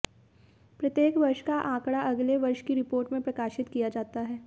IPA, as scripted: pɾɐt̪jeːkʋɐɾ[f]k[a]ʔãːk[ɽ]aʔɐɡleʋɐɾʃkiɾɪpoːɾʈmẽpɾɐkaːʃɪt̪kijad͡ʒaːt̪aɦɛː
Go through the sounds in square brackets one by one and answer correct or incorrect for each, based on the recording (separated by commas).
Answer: incorrect, correct, correct